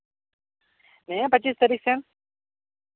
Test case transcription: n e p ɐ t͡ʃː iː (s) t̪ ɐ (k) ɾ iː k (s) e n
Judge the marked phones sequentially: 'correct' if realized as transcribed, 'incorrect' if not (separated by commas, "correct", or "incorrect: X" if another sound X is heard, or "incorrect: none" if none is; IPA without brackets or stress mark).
correct, incorrect: none, correct